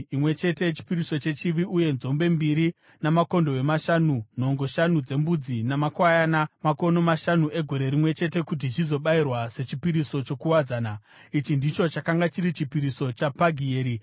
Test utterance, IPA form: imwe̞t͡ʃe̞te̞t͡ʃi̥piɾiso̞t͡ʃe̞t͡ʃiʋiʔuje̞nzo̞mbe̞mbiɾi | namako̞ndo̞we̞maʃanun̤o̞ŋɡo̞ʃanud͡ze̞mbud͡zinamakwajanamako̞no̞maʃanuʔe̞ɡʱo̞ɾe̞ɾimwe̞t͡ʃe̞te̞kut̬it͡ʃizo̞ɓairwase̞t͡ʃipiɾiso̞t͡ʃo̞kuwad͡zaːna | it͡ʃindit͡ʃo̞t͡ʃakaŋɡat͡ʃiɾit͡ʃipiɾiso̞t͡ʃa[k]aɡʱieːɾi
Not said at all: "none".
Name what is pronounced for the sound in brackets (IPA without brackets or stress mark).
p